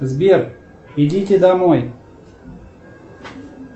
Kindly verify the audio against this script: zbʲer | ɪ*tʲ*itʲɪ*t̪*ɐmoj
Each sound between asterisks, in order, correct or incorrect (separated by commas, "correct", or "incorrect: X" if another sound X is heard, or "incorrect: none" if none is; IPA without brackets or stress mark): incorrect: dʲ, incorrect: d̪